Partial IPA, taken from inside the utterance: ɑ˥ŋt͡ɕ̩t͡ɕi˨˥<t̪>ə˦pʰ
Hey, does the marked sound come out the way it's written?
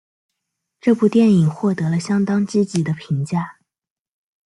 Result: no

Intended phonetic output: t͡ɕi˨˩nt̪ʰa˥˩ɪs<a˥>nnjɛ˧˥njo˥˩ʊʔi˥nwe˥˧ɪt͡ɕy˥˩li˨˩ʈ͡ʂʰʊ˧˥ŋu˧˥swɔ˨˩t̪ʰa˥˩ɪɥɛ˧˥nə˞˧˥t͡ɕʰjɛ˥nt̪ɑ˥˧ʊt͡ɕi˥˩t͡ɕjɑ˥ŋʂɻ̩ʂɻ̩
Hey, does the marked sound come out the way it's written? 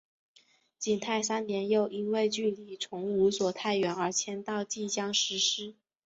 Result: yes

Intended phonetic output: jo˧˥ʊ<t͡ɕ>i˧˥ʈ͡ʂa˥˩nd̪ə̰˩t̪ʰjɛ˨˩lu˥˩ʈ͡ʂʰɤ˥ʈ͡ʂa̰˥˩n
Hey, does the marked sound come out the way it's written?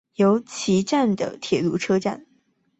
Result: no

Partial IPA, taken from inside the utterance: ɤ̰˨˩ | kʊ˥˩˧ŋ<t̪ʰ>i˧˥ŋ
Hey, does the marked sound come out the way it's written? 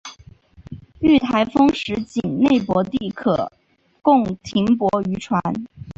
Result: yes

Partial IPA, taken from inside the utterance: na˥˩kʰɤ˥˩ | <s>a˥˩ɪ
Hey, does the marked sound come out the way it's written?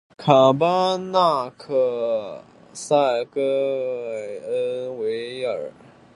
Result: yes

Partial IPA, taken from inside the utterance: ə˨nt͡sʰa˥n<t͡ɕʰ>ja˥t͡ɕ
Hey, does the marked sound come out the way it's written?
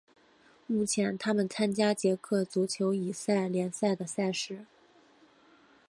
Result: no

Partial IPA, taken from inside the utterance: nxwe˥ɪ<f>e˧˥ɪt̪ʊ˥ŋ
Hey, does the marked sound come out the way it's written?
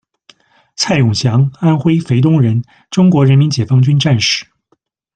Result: yes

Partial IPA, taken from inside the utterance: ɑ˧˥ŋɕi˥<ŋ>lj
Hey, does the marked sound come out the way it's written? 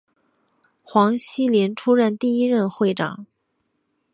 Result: no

